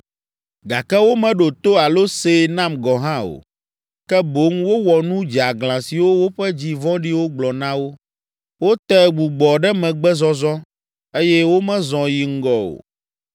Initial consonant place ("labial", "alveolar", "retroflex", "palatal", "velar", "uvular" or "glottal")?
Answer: velar